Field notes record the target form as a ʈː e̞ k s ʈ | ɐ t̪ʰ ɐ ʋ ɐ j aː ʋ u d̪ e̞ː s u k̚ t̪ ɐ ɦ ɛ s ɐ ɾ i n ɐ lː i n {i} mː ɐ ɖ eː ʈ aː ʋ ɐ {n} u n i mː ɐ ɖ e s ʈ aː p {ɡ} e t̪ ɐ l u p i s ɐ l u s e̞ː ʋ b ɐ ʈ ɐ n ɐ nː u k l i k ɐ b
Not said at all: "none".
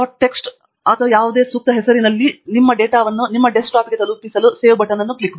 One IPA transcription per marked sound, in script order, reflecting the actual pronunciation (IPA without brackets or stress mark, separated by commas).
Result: i, nː, ɡ